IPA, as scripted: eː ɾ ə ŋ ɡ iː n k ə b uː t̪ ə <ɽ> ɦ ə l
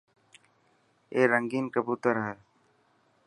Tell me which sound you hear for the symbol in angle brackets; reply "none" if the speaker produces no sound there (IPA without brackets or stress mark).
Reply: ɾ